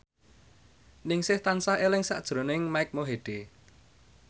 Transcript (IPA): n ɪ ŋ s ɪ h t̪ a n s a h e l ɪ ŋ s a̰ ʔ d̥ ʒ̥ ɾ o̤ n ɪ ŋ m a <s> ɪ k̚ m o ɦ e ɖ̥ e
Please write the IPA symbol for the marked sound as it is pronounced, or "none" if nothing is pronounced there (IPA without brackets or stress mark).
none